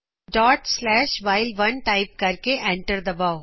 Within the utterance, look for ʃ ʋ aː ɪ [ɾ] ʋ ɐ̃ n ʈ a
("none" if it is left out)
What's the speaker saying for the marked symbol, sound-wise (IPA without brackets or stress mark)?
l